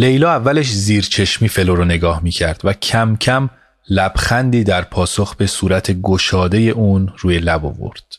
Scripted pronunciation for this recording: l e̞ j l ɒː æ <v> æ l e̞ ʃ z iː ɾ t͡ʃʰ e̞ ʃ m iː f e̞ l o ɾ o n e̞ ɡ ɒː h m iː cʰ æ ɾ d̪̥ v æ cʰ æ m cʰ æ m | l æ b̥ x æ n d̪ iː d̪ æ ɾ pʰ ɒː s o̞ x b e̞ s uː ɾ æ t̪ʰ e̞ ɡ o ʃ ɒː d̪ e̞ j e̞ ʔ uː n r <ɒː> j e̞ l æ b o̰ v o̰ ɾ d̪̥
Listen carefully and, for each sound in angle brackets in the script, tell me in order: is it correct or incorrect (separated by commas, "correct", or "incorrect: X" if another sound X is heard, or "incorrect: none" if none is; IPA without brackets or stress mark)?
incorrect: vː, incorrect: uː